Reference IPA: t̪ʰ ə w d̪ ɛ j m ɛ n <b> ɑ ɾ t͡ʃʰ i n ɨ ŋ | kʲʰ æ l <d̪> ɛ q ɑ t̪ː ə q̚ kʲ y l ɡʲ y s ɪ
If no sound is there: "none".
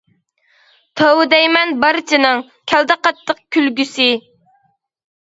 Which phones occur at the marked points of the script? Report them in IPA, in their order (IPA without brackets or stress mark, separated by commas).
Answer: b, d̪